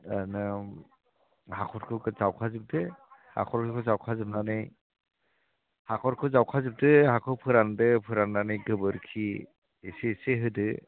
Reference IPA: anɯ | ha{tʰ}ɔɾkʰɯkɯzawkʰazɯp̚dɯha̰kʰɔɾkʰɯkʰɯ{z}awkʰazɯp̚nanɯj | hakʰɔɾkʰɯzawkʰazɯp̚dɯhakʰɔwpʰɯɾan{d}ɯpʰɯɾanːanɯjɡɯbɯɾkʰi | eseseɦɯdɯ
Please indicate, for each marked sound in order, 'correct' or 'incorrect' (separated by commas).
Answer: incorrect, correct, correct